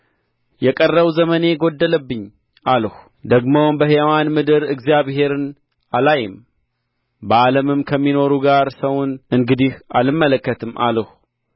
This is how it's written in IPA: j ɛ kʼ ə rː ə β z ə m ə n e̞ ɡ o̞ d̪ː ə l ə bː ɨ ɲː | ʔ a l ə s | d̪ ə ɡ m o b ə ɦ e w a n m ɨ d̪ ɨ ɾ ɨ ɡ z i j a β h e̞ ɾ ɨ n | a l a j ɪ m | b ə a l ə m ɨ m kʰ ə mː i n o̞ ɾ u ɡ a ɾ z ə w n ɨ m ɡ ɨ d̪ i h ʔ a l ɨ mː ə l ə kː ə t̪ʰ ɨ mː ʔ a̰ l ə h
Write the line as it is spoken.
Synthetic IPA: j ɛ kʼ ə rː ə β z ə m ə n e̞ ɡ o̞ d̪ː ə l ə bː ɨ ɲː | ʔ a l ə h | d̪ ə ɡ m o b ə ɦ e w a n m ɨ d̪ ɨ ɾ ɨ ɡ z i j a β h e̞ ɾ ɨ n | a l a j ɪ m | b ə a l ə m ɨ m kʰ ə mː i n o̞ ɾ u ɡ a ɾ s ə w n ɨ ŋ ɡ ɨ d̪ i h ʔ a l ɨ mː ə l ə kː ə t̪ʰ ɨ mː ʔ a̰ l ə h